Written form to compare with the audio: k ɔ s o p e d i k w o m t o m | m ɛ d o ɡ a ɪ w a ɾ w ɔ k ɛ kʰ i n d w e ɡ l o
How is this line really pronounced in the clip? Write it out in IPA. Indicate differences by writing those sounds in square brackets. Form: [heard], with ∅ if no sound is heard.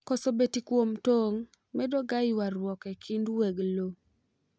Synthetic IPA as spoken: k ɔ s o [b] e [t] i k w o m t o [ŋ] | m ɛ d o ɡ a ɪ w a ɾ w ɔ k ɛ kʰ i n d w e ɡ l o